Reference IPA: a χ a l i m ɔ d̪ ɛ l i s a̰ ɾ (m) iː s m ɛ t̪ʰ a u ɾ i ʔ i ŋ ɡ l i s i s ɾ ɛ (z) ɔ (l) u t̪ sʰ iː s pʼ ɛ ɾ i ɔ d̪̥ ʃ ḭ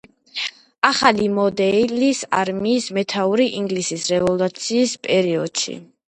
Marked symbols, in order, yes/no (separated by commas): yes, no, yes